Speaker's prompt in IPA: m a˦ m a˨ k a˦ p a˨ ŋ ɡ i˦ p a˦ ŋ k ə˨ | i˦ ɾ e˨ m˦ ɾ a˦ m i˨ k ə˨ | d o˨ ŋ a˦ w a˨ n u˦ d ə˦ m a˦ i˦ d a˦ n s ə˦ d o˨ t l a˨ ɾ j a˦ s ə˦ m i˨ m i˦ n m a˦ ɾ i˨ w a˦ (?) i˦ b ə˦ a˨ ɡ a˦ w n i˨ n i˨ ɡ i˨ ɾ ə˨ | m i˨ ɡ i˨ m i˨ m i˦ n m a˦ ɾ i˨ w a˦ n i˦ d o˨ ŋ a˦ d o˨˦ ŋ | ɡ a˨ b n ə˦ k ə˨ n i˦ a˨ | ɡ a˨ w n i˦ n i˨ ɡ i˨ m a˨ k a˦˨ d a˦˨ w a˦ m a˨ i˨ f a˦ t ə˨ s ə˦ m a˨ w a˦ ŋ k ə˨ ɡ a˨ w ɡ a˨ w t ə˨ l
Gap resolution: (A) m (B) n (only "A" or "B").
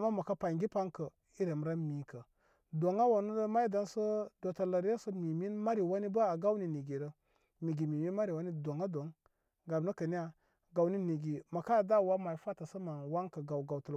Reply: B